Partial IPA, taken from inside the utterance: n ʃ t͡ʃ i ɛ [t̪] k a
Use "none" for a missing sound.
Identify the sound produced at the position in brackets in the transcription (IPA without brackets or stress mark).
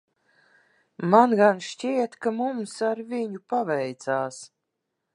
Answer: t̪